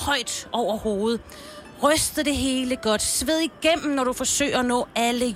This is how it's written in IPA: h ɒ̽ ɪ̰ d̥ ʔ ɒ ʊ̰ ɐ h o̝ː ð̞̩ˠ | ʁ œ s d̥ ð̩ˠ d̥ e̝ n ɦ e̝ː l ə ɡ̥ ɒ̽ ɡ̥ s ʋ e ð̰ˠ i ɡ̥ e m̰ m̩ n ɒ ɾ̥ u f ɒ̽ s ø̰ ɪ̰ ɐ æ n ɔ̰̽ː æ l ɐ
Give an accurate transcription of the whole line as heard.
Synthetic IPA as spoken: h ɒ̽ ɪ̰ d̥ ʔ ɒ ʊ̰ ɐ h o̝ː ð̞̩ˠ | ʁ œ s d̥ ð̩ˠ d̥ e̝ ɦ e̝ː l ə ɡ̥ ɒ̽ d̥ s ʋ e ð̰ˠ i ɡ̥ e m̰ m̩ n ɒ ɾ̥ u f ɒ̽ s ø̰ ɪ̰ ɐ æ n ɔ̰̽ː æ l ə